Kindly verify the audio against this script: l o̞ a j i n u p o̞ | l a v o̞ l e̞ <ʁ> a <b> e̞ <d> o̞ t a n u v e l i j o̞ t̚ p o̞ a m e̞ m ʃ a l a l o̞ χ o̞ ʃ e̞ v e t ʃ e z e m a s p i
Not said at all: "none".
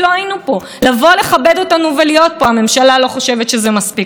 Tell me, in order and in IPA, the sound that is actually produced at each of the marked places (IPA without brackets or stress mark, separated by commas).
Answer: χ, b, d